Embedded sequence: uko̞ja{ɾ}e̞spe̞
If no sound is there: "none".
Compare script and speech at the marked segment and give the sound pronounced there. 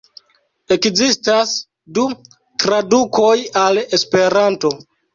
l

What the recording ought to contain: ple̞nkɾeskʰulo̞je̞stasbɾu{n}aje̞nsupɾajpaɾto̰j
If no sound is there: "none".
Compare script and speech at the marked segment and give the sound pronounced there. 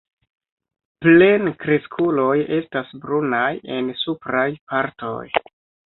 n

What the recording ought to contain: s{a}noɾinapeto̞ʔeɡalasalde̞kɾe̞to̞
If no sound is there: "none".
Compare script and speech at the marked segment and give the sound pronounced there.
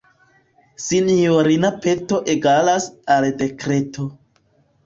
i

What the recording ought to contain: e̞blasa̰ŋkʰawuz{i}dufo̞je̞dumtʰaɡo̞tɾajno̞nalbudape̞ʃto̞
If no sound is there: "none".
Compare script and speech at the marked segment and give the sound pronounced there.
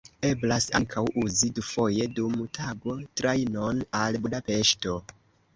i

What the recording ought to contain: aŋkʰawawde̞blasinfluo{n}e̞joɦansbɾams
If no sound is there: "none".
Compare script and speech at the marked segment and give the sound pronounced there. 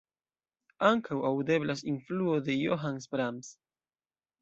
d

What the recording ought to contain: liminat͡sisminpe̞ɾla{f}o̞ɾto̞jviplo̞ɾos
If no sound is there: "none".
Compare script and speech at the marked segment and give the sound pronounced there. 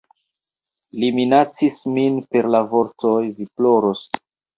v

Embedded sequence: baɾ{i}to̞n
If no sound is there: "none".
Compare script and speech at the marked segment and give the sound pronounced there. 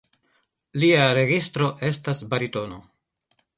i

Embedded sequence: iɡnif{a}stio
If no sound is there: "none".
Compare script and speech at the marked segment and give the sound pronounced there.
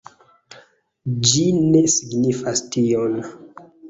a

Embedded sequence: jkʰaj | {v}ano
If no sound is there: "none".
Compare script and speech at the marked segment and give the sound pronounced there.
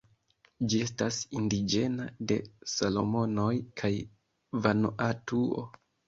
v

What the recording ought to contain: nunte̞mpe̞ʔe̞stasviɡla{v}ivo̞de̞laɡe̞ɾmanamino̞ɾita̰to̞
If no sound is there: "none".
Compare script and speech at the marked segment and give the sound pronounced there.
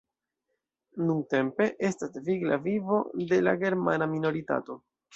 v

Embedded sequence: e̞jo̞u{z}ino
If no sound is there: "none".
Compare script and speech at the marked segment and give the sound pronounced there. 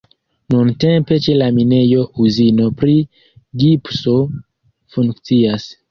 z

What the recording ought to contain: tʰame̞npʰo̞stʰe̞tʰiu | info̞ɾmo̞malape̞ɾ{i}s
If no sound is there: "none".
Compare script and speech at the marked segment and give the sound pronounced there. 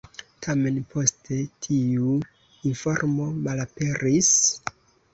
i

